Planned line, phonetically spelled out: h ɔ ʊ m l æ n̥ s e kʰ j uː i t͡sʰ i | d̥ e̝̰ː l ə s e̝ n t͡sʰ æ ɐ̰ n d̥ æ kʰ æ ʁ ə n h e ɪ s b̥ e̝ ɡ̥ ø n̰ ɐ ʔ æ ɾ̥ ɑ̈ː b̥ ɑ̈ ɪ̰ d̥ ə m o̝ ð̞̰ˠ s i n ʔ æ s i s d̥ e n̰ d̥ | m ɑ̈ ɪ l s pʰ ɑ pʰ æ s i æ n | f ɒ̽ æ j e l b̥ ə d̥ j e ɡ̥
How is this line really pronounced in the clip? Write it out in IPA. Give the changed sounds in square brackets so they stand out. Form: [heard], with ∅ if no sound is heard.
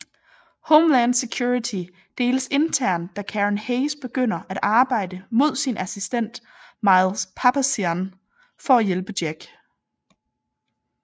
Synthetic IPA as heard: h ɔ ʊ m l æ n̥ s e kʰ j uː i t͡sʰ i | d̥ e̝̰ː l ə s e̝ n t͡sʰ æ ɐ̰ n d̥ æ kʰ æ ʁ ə n h e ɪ s b̥ e̝ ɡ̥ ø n̰ ɐ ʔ æ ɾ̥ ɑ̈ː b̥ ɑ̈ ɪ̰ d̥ ə m o̝ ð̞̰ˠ s i n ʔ æ s i s d̥ e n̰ d̥ | m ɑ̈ ɪ l s pʰ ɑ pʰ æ s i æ n | f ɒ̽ æ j e l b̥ ə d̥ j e ɡ̥